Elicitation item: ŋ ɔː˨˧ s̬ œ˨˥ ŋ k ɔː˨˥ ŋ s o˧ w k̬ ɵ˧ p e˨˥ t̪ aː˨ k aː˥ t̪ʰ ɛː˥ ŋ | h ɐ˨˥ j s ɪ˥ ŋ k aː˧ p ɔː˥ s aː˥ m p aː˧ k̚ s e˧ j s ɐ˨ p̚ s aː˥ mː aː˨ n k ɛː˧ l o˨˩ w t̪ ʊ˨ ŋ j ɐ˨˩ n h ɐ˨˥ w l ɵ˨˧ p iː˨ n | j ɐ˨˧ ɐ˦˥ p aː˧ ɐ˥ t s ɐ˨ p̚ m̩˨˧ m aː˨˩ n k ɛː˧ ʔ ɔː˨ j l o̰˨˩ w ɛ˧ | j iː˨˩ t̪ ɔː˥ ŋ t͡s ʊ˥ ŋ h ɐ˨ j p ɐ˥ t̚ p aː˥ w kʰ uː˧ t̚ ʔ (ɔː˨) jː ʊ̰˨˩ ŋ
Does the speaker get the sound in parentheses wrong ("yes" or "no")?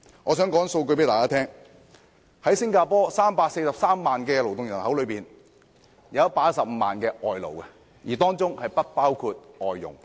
no